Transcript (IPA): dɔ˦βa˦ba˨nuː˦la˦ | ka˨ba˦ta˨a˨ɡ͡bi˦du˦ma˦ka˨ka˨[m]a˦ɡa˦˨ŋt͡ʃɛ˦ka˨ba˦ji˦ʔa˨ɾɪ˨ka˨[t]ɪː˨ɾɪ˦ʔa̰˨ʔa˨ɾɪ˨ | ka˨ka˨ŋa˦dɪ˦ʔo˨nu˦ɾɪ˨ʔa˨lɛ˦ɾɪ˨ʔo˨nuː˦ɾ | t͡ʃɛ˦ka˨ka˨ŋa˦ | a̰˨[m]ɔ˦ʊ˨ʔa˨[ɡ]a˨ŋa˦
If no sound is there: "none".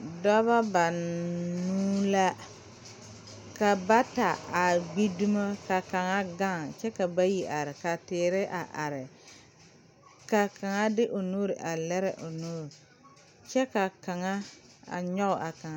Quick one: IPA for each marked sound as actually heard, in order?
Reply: ŋ, t, ɲ, k

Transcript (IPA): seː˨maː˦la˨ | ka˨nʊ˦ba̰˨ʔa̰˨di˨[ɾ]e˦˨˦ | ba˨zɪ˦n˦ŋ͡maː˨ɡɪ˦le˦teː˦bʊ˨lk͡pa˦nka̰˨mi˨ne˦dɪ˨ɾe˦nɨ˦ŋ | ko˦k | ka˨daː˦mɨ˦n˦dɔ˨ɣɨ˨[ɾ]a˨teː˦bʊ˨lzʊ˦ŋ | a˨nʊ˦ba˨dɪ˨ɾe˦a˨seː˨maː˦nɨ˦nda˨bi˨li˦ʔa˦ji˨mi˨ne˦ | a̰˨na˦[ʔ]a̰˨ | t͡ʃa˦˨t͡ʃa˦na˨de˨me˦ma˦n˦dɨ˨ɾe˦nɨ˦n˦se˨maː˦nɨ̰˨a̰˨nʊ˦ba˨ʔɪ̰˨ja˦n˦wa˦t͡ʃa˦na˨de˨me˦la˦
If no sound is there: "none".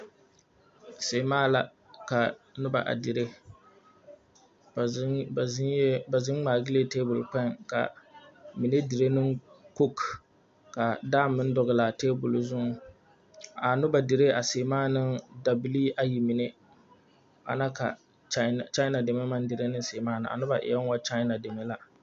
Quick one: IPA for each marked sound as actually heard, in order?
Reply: ɾ, l, k

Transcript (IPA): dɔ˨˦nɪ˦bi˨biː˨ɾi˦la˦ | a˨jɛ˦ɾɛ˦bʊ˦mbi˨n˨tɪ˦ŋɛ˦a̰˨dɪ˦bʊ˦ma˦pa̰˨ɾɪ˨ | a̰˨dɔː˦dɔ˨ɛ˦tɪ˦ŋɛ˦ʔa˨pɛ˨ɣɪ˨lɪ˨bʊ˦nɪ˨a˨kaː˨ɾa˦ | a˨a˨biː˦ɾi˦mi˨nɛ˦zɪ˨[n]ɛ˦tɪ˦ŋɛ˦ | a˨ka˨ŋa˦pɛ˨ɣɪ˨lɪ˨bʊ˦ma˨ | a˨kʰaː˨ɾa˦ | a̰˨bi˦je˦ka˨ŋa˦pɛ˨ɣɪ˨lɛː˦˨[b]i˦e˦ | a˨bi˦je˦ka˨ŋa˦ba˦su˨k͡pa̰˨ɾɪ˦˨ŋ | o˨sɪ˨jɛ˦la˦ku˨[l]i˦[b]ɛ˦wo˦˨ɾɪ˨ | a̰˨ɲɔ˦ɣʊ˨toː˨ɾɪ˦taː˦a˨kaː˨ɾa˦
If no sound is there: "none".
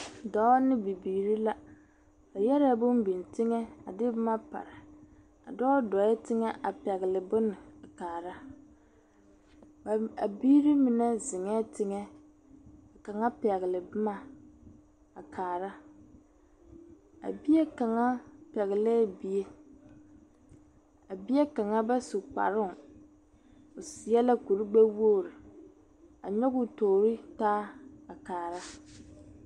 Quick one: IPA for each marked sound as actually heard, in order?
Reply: ŋ, b, ɾ, ɡ͡b

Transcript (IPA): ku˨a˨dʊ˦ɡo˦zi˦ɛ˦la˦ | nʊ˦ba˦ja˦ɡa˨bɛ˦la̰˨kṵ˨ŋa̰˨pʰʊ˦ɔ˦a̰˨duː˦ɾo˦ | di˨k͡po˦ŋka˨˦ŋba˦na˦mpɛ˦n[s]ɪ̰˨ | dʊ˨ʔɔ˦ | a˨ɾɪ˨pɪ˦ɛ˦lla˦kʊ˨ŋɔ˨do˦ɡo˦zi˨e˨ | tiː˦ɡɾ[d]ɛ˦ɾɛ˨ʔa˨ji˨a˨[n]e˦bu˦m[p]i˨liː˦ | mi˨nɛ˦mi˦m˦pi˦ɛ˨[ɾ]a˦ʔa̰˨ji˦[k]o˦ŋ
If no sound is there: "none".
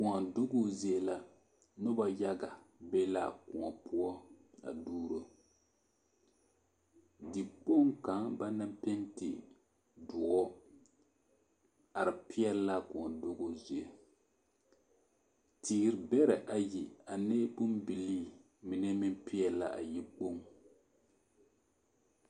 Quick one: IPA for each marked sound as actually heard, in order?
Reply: t, b, n, b, l, k͡p

